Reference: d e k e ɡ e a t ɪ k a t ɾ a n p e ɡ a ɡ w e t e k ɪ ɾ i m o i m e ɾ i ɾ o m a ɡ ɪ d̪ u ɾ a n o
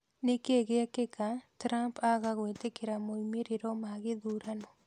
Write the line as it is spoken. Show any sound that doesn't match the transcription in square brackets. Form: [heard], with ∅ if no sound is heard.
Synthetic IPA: [n] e k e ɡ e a [k] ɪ k a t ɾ a [m] p [a] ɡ a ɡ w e t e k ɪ ɾ [a] m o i m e ɾ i ɾ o m a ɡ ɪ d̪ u ɾ a n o

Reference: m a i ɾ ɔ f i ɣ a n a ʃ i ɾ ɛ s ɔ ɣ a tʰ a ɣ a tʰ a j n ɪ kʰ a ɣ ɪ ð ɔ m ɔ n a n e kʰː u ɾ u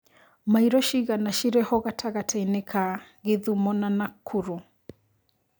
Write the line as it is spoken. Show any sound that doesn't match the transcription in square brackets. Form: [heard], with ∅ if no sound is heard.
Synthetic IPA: m a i ɾ ɔ [ʃ] i ɣ a n a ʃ i ɾ ɛ [h] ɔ ɣ a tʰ a ɣ a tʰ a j n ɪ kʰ a ɣ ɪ ð [u] m ɔ n a n [a] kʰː u ɾ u

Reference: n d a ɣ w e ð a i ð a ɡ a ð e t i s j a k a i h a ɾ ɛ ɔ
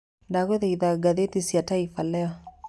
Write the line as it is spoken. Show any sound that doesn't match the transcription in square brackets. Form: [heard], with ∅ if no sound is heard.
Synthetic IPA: n d a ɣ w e ð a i ð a ɡ a ð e t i s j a [t] a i [f] a [l] ɛ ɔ

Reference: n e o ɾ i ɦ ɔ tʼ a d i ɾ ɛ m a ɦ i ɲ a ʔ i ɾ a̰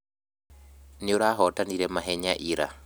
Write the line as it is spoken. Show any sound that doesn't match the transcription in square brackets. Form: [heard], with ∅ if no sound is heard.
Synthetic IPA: n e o ɾ [a] ɦ ɔ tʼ a [n] i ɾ ɛ m a ɦ [ɛ] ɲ a ʔ i ɾ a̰

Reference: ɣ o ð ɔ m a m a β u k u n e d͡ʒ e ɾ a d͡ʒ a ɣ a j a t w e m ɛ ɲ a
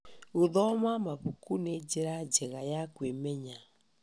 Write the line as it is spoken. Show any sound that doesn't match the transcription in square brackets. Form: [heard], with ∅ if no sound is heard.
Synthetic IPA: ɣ o ð ɔ m a m a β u k u n e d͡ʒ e ɾ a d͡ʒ [ɛ] ɣ a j a [k] w e m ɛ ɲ a

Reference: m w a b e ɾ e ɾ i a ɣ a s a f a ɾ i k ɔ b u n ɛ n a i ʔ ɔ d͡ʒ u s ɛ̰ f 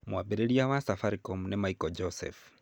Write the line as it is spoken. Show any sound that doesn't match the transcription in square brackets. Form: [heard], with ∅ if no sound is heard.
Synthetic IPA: m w a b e ɾ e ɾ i a [w] a s a f a ɾ i k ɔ [m] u n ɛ [m] a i [k] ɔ d͡ʒ [ɔ] s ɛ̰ f

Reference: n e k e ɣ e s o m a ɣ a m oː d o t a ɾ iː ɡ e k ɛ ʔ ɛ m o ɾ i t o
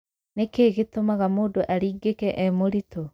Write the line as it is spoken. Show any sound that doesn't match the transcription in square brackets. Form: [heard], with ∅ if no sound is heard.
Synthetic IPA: n e k e ɣ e [t] o m a ɣ a m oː d o [ʔ] a ɾ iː ɡ e k ɛ ʔ ɛ m o ɾ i t o

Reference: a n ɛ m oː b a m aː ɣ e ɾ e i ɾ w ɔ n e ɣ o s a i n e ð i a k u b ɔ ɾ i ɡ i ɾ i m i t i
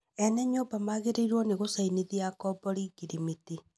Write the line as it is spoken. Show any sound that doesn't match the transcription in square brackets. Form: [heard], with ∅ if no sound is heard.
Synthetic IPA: [ɛ] n ɛ [ɲ] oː b a m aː ɣ e ɾ e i ɾ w ɔ n e ɣ o s a i n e ð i a k [ɔ] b ɔ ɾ i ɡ i ɾ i m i t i

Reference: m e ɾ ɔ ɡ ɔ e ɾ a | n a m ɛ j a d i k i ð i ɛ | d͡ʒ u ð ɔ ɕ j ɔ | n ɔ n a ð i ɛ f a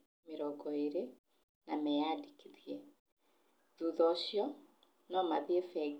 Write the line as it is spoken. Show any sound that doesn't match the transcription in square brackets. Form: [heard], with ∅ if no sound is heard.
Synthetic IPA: m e ɾ ɔ ɡ ɔ e ɾ [e] | n a m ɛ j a d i k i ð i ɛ | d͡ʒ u ð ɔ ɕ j ɔ | n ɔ [m] a ð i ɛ f [ɛ]

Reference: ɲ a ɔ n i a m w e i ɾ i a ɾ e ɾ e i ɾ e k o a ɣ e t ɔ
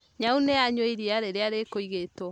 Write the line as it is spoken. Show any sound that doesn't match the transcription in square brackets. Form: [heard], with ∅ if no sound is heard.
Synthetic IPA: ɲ a [u] n [e] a [ɲ] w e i ɾ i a ɾ e ɾ e [a] ɾ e k o [i] ɣ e t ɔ

